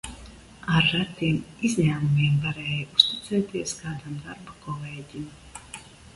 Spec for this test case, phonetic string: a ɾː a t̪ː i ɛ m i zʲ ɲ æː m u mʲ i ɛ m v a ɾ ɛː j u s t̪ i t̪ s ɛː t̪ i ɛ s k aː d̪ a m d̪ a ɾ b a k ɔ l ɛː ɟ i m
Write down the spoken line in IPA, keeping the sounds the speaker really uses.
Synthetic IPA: a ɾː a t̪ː i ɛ m i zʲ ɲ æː m u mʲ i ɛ m v a ɾ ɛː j u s t̪ i t̪ s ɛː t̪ i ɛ s k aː d̪ a m d̪ a ɾ b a k ɔ l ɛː ɟ i m